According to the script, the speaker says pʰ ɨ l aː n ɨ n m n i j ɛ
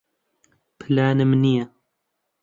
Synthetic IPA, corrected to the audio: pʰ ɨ l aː n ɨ m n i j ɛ